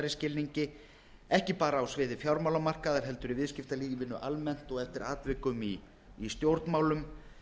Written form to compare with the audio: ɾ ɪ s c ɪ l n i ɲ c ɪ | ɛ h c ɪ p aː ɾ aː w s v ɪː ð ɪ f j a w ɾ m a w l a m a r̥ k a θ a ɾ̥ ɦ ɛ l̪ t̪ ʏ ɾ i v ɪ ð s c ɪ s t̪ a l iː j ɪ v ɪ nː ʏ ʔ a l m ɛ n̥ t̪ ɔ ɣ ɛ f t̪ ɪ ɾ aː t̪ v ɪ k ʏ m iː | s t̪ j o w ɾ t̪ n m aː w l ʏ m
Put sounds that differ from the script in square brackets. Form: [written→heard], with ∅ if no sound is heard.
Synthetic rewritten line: ɾ ɪ s c ɪ l n i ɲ c ɪ | ɛ h c ɪ p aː ɾ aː w s v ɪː ð ɪ f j a w ɾ m a w l a m a r̥ k a [θ→ð] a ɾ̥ ɦ ɛ l̪ t̪ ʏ ɾ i v ɪ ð s c ɪ [s→f] t̪ a l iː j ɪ v ɪ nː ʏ ʔ a l m ɛ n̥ t̪ ɔ ɣ ɛ f t̪ ɪ ɾ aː t̪ v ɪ k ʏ m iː | s t̪ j o w ɾ t̪ n m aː w l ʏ m

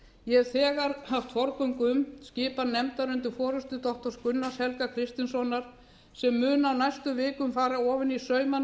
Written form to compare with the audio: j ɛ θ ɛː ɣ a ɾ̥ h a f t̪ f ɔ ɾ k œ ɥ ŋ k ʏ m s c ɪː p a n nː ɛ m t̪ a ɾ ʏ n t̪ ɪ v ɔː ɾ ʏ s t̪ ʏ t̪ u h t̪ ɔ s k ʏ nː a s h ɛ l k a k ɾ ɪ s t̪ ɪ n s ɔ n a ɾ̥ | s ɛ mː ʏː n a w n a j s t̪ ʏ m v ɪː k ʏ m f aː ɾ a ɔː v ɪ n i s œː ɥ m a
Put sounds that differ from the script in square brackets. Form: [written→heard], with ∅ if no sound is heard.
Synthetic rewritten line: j ɛ θ ɛː ɣ a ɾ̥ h a f t̪ f ɔ ɾ k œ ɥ ŋ k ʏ m s c ɪː p a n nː ɛ m t̪ a ɾ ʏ n t̪ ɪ [v→f] ɔː ɾ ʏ s t̪ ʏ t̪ [u→ɔ] h t̪ ɔ s k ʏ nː a s h ɛ l k a [k→kʰ] ɾ ɪ s t̪ ɪ n s ɔ n a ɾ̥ | s ɛ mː ʏː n a w n a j s t̪ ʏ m v ɪː k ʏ m f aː ɾ a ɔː v ɪ n i s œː ɥ m a

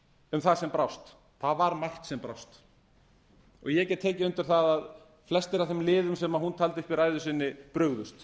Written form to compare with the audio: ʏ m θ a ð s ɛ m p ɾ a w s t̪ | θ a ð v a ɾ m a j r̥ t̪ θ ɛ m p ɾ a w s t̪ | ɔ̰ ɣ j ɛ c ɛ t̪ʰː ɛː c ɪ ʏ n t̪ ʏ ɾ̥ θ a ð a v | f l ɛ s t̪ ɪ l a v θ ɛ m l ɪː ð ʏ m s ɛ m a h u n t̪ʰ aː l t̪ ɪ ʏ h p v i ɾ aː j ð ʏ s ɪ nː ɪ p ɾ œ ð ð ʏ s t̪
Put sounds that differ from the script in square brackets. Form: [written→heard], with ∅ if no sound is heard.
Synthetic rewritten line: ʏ m θ a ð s ɛ m p ɾ a w s t̪ | θ a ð v a ɾ m a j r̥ t̪ [θ→s] ɛ m p ɾ a w s t̪ | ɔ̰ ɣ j ɛ c ɛ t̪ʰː ɛː c ɪ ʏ n t̪ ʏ ɾ̥ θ a ð a [v→ð] | f l ɛ s t̪ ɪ [l→ɾ] a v θ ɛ m l ɪː ð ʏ m s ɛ m a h u n t̪ʰ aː l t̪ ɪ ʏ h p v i ɾ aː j ð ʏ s ɪ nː ɪ p ɾ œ [ð→ɣ] ð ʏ s t̪

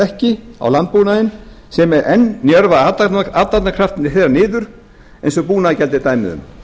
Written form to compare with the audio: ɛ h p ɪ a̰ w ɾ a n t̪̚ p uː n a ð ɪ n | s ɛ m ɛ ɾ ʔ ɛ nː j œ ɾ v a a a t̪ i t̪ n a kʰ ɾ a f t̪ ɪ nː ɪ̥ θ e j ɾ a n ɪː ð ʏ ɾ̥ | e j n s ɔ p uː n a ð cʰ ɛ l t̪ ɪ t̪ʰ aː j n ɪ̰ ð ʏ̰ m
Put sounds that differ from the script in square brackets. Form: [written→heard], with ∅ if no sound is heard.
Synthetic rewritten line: ɛ h [p→c] ɪ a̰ w [ɾ→l] a n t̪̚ p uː n a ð ɪ n | s ɛ m ɛ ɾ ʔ ɛ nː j œ ɾ v a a a t̪ [i→a] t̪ n a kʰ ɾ a f t̪ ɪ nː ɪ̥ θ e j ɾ a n ɪː ð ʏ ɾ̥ | e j n s ɔ p uː n a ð [cʰ→c] ɛ l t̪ ɪ [t̪ʰ→t̪] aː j [n→m] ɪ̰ ð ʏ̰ m

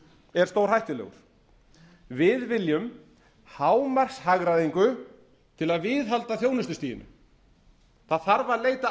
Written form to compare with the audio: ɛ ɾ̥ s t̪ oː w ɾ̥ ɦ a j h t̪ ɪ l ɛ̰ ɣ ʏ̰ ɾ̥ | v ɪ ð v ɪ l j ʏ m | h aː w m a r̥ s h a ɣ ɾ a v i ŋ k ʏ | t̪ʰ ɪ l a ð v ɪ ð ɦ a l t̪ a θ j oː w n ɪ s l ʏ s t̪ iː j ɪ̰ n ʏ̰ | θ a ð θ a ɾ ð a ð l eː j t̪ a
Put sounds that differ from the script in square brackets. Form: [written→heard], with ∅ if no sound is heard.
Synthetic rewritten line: ɛ ɾ̥ s t̪ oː w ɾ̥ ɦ a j h t̪ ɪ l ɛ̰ ɣ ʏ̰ ɾ̥ | v ɪ ð v ɪ l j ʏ m | h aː w m a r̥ s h a ɣ ɾ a [v→ð] i ŋ k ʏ | t̪ʰ ɪ l a ð v ɪ ð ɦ a l t̪ a θ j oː w n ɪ s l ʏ s t̪ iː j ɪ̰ n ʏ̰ | θ a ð θ a ɾ [ð→v] a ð l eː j t̪ a

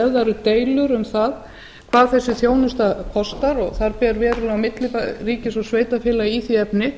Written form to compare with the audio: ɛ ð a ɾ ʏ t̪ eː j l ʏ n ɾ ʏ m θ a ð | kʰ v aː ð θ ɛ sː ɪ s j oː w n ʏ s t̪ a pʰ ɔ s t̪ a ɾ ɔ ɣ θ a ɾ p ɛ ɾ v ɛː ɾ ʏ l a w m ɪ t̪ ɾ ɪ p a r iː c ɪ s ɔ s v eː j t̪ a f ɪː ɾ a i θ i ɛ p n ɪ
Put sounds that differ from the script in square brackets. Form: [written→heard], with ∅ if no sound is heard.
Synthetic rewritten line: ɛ ð a ɾ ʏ t̪ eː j l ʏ [n→∅] ɾ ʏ m θ a ð | kʰ v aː ð θ ɛ sː ɪ [s→θ] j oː w n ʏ s t̪ a pʰ ɔ s t̪ a ɾ ɔ ɣ θ a ɾ p ɛ ɾ v ɛː ɾ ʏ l a w m ɪ t̪ [ɾ→l] ɪ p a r iː c ɪ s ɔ s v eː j t̪ a f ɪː [ɾ→l] a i θ i ɛ p n ɪ

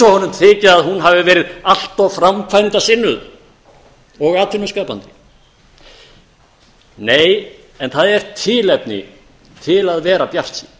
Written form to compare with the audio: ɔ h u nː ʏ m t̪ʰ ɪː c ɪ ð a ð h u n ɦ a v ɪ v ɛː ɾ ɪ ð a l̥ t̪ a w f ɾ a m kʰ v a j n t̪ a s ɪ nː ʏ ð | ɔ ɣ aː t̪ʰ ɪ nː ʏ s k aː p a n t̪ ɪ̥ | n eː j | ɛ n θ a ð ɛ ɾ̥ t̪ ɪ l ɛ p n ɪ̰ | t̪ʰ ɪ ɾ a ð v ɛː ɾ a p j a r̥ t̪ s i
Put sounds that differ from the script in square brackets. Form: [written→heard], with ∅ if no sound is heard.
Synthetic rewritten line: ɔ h [u→ɔ] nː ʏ m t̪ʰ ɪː c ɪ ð a ð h u n ɦ a v ɪ v ɛː ɾ ɪ ð a l̥ t̪ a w f ɾ a m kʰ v a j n t̪ a s ɪ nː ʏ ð | ɔ ɣ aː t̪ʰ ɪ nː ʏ s k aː p a n t̪ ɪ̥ | n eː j | ɛ n θ a ð ɛ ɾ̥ [t̪→t̪ʰ] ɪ l ɛ p n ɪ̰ | t̪ʰ ɪ [ɾ→l] a ð v ɛː ɾ a p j a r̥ t̪ s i

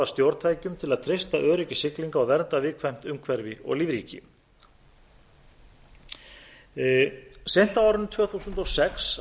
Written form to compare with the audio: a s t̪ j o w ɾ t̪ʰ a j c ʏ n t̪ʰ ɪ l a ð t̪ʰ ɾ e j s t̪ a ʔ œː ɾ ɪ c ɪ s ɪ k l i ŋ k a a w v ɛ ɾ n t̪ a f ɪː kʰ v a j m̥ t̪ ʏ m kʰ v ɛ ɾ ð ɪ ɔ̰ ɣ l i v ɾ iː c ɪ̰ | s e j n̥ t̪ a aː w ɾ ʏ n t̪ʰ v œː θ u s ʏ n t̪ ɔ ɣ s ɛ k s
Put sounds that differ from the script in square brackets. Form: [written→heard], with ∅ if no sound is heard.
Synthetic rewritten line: a s t̪ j o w ɾ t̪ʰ a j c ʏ [n→m] t̪ʰ ɪ l a ð t̪ʰ ɾ e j s t̪ a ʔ œː ɾ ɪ c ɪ s ɪ k l i ŋ k a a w v ɛ ɾ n t̪ a [f→v] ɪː kʰ v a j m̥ t̪ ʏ m kʰ v ɛ ɾ [ð→v] ɪ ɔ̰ ɣ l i v ɾ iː c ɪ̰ | s e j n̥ t̪ a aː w ɾ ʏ n t̪ʰ v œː θ u s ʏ n t̪ ɔ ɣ s ɛ k s

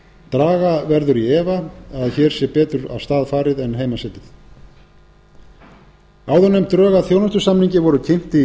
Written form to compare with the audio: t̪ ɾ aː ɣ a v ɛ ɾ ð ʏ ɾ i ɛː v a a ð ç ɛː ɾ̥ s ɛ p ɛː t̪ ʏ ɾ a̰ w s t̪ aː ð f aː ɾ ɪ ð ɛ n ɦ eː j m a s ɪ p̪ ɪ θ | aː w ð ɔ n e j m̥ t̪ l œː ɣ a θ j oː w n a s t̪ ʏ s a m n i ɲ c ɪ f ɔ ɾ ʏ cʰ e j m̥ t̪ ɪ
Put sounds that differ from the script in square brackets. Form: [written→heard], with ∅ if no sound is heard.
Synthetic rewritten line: t̪ ɾ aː ɣ a v ɛ ɾ ð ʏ ɾ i ɛː v a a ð ç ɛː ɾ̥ s ɛ p ɛː t̪ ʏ ɾ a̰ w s t̪ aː ð f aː ɾ ɪ ð ɛ n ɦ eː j m a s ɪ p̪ ɪ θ | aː w ð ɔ n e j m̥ t̪ [l→ɾ] œː ɣ a θ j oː w n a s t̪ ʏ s a m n i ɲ c ɪ [f→v] ɔ ɾ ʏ cʰ e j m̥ t̪ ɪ

